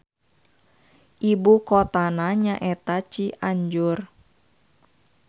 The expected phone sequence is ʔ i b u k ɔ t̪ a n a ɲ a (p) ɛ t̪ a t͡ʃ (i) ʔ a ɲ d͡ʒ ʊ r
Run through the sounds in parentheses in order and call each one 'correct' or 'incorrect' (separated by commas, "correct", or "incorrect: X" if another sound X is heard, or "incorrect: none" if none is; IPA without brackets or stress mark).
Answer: incorrect: ʔ, correct